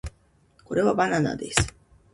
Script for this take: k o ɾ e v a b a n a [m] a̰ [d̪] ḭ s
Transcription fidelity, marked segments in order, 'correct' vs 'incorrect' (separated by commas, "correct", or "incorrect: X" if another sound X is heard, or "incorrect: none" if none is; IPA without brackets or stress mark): incorrect: n, correct